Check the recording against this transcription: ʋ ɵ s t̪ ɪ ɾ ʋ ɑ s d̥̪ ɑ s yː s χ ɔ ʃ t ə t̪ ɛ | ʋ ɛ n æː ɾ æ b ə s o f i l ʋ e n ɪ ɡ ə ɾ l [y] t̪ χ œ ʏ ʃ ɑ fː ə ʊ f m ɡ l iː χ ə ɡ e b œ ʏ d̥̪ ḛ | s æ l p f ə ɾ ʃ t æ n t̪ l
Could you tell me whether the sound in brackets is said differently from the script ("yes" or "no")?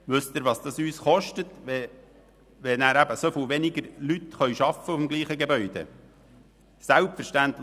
no